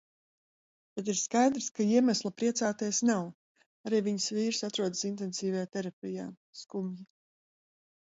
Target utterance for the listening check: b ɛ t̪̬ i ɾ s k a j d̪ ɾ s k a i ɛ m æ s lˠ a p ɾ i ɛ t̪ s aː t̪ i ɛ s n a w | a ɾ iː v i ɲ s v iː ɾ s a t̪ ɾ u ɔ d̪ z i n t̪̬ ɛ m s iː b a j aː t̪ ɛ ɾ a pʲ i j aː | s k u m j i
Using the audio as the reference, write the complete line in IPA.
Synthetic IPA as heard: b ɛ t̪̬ i ɾ s k a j d̪ ɾ s k a i ɛ m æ s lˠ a p ɾ i ɛ t̪ s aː t̪ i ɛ s n a w | a ɾ iː v i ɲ s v iː ɾ s a t̪ ɾ u ɔ d̪ s i n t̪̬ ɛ n s iː v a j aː t̪ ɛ ɾ a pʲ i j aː | s k u m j i